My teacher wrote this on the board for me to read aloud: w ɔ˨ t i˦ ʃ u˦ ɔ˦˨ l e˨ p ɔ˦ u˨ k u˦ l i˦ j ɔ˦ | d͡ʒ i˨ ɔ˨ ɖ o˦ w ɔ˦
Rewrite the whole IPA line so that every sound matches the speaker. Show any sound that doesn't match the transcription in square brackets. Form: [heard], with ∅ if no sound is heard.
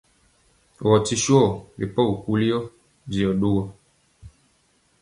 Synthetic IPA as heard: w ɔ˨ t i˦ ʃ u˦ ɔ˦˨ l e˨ p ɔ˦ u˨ k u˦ l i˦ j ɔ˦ | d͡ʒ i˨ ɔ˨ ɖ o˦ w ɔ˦